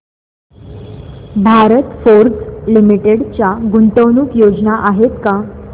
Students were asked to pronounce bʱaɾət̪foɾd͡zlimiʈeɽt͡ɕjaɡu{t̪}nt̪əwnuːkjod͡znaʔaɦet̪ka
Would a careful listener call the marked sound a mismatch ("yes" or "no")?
yes